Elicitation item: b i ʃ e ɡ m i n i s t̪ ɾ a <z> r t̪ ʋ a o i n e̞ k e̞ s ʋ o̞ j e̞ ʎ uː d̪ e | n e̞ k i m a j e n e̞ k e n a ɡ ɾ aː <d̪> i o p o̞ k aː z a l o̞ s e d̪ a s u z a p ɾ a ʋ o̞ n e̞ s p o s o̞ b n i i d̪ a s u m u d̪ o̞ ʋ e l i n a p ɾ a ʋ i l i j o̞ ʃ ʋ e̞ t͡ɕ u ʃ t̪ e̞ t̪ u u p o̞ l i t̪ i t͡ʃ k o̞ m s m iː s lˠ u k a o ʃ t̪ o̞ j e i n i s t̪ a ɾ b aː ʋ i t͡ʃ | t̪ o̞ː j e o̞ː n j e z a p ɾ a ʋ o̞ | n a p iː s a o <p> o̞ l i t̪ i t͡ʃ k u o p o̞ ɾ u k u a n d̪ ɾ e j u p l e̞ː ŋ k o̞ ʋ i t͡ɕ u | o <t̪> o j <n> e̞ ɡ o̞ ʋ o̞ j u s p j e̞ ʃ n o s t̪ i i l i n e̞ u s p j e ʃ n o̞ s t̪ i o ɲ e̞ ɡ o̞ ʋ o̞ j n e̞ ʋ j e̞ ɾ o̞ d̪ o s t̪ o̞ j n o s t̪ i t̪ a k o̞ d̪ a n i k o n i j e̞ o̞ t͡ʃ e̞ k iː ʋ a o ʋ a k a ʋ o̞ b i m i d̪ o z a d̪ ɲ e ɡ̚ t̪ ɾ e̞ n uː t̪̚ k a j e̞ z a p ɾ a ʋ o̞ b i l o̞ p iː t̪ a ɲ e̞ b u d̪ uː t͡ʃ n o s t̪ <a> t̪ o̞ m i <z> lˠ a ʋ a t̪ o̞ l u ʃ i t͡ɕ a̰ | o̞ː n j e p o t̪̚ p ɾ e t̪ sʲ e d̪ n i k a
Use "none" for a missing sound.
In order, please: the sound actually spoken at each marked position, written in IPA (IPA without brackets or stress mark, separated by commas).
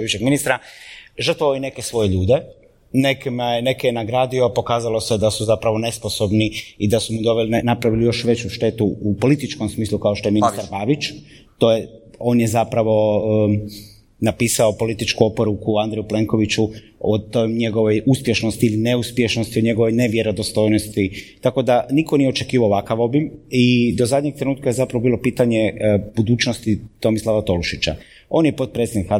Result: ʒ, d̪, p, t̪, ɲ, i, s